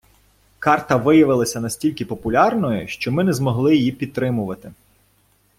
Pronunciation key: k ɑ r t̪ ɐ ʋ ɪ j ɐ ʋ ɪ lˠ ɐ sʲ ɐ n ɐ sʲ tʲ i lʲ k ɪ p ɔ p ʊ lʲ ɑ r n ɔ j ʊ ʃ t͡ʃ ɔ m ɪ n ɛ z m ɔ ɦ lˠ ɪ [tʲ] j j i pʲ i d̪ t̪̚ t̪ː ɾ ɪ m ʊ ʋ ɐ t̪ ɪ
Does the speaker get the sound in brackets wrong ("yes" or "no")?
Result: yes